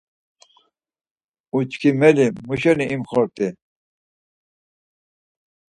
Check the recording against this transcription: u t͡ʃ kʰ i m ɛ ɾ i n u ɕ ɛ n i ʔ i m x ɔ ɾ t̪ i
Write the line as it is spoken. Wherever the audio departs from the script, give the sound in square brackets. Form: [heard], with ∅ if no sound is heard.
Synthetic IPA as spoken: u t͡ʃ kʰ i m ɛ [l] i [m] u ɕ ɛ n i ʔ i m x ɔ ɾ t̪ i